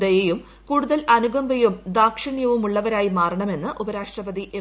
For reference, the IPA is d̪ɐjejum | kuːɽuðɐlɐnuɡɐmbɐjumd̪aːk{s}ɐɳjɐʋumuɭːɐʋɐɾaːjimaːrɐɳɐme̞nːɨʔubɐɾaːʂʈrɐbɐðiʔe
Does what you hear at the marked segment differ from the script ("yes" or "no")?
yes